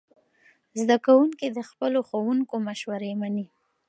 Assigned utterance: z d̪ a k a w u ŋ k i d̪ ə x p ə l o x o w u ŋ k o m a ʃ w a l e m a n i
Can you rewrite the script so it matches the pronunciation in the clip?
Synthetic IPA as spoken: z d̪ a k a w u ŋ k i d̪ ə x p ə l o x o w u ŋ k o m a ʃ w a ɾ e m a n i

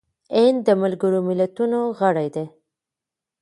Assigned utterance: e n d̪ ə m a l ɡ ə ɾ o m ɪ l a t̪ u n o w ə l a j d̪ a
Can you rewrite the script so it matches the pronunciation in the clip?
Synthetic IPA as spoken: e n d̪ ə m a l ɡ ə ɾ o m ɪ l a t̪ u n o ɣ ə ɽ a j d̪ e

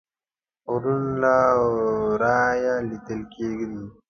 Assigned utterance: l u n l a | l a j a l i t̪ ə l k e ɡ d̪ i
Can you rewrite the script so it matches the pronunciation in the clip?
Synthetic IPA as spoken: ɾ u n l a | ɾ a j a l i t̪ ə l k e ɡ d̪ i

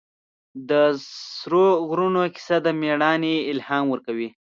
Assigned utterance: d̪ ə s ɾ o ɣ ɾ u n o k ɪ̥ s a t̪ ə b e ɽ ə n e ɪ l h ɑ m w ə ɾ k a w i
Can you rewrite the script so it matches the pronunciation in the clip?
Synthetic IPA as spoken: d̪ ə s ɾ o ɣ ɾ u n o k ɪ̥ s a d̪ ə m e ɽ ɑ n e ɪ l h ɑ m w ə ɾ k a w i

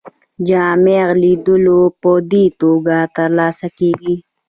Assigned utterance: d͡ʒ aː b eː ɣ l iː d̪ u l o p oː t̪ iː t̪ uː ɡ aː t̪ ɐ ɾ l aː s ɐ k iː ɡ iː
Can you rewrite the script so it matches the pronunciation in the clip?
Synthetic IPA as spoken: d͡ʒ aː m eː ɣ l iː d̪ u l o p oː d̪ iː t̪ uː ɡ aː t̪ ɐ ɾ l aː s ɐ k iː ɡ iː

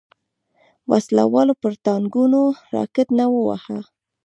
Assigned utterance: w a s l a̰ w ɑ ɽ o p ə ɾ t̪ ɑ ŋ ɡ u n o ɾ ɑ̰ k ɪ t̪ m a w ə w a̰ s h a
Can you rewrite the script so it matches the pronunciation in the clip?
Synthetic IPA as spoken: w a s l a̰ w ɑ l o p ə ɾ t̪ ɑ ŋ ɡ u n o ɾ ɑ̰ k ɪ t̪ n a w ə w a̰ h a

